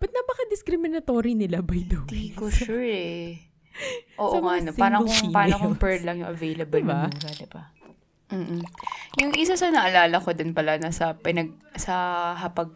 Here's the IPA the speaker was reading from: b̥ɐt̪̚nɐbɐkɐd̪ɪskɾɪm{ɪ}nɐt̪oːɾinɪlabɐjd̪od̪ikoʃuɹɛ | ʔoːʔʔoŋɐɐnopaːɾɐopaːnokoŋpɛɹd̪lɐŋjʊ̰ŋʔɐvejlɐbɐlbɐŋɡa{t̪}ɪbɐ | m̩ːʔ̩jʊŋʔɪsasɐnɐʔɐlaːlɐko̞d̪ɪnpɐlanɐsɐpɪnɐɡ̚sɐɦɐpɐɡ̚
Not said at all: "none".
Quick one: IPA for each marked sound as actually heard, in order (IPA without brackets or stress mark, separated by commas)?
ɪ, d̪